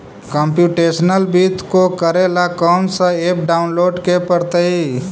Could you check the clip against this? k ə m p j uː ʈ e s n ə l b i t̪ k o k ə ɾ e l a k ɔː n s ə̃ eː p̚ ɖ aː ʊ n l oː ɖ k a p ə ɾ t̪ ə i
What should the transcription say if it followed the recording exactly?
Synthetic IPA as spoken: k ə m p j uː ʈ e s n ə l b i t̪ k o k ə ɾ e l a k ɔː n s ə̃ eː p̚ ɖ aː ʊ n l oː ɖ k e p ə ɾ t̪ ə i